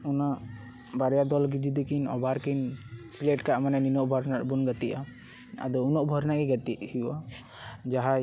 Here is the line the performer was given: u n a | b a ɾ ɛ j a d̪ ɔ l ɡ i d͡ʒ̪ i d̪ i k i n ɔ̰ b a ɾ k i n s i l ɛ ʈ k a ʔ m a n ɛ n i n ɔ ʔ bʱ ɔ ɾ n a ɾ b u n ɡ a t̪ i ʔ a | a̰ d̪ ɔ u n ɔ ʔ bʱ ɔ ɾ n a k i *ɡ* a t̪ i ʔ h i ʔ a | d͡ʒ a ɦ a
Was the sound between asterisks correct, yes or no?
yes